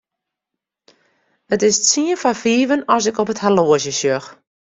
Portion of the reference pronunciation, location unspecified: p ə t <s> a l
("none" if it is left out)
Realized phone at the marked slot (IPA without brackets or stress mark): h